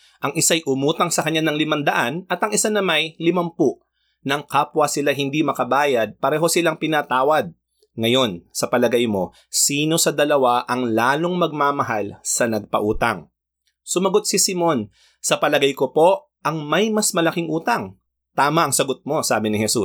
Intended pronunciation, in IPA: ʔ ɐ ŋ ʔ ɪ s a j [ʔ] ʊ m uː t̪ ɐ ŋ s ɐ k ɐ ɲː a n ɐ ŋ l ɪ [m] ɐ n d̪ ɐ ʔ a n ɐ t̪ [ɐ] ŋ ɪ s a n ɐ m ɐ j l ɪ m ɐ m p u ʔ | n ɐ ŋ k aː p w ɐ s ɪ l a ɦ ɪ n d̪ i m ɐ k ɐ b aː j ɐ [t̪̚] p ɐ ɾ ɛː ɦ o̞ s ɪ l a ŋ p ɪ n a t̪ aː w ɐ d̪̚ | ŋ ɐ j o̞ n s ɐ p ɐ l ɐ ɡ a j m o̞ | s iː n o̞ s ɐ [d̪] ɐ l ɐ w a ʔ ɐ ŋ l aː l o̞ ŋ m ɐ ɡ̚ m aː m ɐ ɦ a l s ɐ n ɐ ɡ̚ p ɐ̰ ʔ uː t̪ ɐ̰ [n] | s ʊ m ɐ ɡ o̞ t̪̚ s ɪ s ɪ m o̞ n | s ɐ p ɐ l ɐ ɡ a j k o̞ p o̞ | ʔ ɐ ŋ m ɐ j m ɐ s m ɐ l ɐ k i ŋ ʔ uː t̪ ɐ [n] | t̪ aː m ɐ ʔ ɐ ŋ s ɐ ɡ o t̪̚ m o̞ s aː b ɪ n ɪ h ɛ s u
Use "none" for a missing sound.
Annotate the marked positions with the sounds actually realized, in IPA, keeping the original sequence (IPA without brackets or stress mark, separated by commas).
ʔ, m, ɐ, d̪̚, d̪, ŋ, ŋ